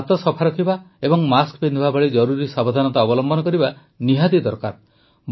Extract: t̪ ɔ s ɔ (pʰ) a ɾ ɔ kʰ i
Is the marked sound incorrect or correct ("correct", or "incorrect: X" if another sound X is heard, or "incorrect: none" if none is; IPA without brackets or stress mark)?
correct